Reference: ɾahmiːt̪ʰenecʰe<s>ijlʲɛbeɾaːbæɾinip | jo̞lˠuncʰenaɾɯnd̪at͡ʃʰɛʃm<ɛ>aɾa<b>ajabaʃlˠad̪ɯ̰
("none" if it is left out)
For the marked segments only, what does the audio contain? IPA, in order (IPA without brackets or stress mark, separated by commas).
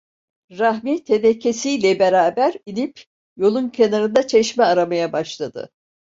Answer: s, ɛ, m